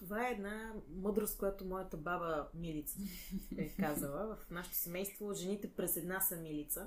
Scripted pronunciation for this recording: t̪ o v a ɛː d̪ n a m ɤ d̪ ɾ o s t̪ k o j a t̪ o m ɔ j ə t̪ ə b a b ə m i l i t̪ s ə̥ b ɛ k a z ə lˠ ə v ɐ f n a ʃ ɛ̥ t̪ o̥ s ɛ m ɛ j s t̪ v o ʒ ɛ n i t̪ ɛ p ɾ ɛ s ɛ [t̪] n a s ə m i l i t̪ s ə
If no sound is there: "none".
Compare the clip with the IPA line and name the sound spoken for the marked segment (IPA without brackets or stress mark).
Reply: d̪